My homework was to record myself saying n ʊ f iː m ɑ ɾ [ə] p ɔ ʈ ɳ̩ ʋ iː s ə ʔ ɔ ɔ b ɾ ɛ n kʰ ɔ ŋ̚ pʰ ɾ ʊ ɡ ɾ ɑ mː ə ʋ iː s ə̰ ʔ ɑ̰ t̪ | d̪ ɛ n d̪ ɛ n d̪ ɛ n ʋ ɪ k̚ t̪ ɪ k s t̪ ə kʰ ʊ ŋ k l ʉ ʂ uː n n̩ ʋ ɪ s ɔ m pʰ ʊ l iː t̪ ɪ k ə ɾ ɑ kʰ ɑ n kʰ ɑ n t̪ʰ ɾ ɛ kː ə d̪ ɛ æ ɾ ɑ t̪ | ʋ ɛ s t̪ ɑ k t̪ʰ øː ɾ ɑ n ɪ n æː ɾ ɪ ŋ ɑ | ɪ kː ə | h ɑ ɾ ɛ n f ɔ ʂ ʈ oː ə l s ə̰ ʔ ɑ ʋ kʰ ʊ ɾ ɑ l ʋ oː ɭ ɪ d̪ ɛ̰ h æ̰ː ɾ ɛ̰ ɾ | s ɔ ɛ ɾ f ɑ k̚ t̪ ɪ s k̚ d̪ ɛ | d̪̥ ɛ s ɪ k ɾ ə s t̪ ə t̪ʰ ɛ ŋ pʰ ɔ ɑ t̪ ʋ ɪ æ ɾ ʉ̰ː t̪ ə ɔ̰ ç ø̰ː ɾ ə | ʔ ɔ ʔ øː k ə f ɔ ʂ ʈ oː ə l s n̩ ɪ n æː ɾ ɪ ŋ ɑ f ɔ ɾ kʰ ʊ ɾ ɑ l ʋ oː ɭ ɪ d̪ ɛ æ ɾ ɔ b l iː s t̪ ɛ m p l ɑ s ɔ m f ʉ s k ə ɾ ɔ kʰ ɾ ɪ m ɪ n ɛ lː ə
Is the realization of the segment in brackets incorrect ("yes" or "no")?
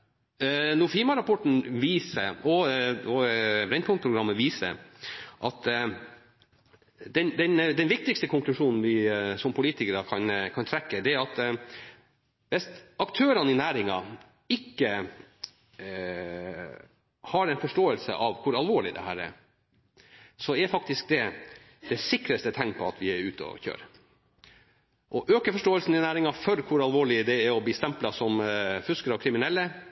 yes